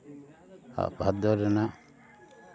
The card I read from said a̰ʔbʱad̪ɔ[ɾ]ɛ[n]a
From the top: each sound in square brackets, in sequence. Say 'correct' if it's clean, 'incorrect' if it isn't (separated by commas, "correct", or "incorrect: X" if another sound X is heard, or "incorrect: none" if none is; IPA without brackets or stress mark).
correct, correct